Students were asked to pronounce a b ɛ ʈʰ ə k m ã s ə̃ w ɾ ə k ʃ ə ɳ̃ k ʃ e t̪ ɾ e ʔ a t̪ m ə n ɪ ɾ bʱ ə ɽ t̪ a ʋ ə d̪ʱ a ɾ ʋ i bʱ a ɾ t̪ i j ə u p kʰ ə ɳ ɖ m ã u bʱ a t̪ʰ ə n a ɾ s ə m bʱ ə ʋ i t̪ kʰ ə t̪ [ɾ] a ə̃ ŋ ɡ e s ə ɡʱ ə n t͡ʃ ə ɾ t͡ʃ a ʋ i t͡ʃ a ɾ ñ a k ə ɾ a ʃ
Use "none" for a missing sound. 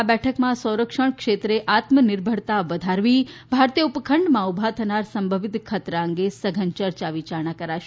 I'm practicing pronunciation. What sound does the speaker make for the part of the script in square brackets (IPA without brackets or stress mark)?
ɾ